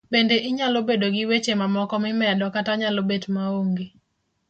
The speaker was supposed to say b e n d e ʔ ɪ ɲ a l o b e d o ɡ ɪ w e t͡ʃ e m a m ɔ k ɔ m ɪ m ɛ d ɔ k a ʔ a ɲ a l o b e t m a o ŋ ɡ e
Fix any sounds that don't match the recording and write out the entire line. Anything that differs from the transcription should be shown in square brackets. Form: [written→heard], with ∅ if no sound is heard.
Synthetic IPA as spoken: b e n d e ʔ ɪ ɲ a l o b e d o ɡ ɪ w e t͡ʃ e m a m ɔ k ɔ m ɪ m ɛ d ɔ k a [ʔ→t] a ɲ a l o b e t m a o ŋ ɡ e